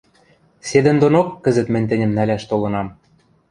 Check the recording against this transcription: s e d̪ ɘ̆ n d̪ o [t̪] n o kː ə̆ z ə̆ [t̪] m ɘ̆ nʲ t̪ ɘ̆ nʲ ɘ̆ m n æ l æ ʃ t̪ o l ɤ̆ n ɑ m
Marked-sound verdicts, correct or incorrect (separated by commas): incorrect, correct